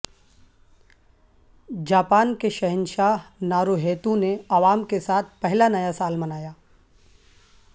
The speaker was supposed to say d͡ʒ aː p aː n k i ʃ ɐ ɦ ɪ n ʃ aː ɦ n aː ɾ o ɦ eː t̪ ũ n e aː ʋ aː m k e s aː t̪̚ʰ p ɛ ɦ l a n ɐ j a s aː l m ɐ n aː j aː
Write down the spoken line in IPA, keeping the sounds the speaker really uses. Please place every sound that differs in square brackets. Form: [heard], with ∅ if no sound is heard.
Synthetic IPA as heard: d͡ʒ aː p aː n k [e] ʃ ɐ ɦ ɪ n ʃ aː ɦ n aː ɾ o ɦ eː t̪ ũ n e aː ʋ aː m k e s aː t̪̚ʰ p ɛ ɦ l a n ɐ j a s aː l m ɐ n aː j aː

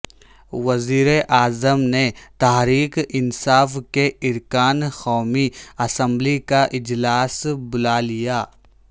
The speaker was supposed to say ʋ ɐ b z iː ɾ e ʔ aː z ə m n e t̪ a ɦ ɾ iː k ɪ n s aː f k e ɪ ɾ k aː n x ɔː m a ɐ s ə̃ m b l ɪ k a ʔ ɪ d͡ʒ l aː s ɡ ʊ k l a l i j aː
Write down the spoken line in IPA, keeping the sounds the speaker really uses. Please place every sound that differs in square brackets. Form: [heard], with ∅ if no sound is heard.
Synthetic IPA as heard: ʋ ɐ [∅] z iː ɾ e ʔ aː z ə m n e t̪ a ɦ ɾ iː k ɪ n s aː f k e ɪ ɾ k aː n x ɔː m [i] ɐ s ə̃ m b l [i] k a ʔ ɪ d͡ʒ l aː s [b] ʊ [∅] l a l i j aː

